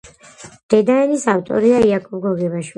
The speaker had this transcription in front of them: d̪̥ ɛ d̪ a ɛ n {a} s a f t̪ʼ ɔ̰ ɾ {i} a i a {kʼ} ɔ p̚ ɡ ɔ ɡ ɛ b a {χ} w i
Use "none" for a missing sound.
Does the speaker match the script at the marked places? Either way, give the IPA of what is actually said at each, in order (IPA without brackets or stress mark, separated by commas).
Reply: i, i, kʼ, ʃ